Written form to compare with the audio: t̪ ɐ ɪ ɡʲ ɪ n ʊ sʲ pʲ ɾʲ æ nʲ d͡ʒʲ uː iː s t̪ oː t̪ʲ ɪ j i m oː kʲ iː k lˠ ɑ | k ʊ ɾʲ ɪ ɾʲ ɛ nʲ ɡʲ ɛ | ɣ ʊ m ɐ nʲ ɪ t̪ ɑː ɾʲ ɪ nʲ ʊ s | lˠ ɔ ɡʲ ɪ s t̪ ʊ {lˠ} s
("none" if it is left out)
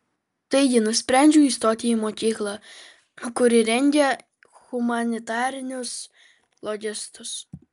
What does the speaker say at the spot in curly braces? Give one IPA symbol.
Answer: none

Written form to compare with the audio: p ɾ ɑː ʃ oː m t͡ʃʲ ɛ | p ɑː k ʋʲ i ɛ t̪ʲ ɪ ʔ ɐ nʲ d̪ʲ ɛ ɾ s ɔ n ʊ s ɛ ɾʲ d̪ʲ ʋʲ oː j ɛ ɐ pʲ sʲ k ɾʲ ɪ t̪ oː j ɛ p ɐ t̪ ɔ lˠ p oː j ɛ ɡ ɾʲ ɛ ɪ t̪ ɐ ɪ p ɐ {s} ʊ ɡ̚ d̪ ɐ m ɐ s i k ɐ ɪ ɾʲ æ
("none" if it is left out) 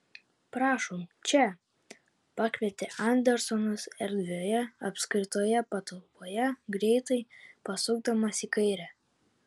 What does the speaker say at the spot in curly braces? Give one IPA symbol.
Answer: s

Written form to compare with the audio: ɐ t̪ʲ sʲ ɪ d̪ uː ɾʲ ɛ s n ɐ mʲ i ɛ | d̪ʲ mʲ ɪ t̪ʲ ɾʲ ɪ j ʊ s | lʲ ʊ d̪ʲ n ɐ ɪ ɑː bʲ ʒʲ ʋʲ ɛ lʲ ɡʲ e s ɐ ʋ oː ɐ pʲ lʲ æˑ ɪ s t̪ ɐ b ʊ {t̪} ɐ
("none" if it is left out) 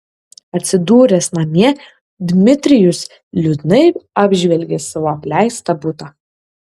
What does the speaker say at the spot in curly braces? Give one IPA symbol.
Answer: t̪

